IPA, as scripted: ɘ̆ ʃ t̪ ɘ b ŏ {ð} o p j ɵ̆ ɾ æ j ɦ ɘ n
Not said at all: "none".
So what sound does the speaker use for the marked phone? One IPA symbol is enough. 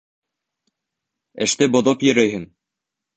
ð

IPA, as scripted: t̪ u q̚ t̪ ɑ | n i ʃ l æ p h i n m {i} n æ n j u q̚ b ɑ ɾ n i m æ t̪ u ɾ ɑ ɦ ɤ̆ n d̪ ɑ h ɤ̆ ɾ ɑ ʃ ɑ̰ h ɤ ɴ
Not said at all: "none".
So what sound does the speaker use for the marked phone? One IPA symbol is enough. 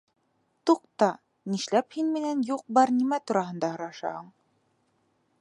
i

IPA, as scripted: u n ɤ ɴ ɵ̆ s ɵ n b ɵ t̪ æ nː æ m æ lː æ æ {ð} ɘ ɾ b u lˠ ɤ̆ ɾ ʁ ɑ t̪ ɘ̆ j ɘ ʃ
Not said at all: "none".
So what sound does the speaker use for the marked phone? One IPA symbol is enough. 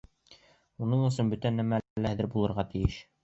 ð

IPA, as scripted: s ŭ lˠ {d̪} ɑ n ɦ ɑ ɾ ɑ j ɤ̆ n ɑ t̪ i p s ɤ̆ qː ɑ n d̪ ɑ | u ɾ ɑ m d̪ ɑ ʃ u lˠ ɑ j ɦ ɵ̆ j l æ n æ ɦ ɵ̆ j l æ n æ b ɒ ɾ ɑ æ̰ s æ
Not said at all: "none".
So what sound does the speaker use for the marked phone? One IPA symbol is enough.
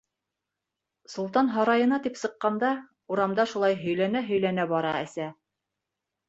t̪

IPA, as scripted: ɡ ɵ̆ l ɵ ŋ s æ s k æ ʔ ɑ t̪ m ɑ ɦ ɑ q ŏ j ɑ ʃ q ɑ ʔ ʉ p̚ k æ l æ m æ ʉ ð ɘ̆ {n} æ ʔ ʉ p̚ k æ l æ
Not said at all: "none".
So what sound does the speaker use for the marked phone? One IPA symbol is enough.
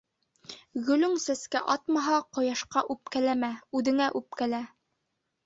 ŋ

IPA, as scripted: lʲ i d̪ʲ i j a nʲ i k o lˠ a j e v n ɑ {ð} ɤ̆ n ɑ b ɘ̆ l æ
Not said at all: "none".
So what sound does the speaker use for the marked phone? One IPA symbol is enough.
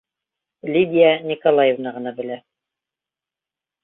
ʁ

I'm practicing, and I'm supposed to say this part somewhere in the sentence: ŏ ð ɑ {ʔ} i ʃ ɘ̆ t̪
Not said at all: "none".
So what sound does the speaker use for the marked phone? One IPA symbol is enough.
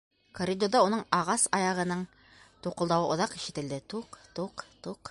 q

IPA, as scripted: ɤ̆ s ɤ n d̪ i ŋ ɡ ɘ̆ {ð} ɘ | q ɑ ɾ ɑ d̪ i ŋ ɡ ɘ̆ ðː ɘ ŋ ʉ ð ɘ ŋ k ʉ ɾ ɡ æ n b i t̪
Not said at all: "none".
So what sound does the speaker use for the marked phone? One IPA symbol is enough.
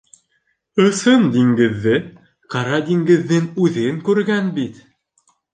ðː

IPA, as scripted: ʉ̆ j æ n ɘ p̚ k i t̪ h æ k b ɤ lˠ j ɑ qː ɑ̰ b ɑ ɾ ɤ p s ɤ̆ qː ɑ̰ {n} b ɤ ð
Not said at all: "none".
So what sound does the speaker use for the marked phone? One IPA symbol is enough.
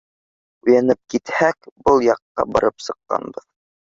n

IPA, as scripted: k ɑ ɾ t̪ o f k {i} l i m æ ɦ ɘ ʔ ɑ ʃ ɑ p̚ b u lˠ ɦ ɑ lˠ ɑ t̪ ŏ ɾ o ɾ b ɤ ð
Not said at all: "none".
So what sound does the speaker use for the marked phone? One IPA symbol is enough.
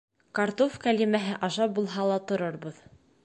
æ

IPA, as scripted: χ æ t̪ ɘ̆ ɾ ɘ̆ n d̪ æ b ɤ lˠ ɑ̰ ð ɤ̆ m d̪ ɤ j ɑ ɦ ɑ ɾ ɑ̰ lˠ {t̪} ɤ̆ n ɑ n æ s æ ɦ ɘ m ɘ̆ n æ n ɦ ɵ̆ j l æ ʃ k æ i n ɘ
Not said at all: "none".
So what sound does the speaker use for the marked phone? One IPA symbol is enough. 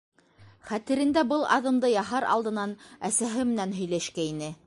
d̪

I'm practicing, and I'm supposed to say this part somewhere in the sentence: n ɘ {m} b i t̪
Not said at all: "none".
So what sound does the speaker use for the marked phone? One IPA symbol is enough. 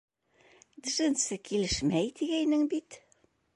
ŋ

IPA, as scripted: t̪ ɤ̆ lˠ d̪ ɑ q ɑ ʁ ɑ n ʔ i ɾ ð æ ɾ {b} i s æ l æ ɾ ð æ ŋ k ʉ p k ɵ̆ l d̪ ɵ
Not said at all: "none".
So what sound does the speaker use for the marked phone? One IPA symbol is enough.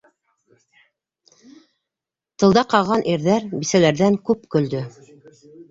b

